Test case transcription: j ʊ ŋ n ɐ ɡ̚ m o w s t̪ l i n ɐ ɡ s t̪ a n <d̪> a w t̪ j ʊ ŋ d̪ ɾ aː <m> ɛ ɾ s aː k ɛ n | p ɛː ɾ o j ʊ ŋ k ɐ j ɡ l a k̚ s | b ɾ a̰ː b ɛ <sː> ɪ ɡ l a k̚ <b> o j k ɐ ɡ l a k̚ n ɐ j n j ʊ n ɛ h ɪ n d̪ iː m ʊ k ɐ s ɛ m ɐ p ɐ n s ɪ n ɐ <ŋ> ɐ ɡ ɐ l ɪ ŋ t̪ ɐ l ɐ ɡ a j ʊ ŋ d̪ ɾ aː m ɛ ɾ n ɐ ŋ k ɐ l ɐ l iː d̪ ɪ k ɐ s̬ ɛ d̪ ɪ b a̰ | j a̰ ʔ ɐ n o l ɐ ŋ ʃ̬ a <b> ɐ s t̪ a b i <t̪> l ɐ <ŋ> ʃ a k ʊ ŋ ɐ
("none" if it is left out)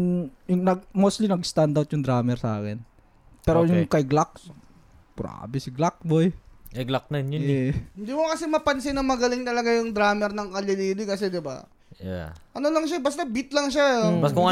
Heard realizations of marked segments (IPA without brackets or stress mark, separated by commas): d̪, m, s, b, m, b, t̪, ŋ